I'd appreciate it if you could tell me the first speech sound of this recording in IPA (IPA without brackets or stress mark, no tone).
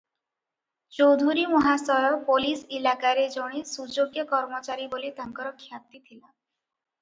t͡ʃ